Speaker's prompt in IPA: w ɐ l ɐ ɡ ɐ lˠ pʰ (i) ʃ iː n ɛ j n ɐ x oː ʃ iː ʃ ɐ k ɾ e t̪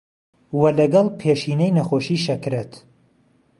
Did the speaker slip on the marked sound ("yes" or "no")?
yes